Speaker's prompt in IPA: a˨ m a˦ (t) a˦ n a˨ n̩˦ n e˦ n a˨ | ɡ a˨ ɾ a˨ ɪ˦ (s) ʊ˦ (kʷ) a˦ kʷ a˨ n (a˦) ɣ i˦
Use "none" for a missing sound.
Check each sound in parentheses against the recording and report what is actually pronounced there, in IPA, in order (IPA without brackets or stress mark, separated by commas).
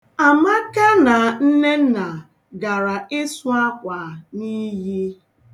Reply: k, s, none, i˦